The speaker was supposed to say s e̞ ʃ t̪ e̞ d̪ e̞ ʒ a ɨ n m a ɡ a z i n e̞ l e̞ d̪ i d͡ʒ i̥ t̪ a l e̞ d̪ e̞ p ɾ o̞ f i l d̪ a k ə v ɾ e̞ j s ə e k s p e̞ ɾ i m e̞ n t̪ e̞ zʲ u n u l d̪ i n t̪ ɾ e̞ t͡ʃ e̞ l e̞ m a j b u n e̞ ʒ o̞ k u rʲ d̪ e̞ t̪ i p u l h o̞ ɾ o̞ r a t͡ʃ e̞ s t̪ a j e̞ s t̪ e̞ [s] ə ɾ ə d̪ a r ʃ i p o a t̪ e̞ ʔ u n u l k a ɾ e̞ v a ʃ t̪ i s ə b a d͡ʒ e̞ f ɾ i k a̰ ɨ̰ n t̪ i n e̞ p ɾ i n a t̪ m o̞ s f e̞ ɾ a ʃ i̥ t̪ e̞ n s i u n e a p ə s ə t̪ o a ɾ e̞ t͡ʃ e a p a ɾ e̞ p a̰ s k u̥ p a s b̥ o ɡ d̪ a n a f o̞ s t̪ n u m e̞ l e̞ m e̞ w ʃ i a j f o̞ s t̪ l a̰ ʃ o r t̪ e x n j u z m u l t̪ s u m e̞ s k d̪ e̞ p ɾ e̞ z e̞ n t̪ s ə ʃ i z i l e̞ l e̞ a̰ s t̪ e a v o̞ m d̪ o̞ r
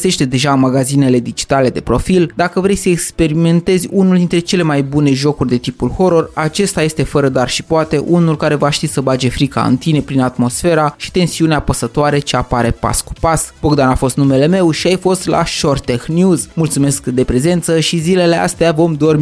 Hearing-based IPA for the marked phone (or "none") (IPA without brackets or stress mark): f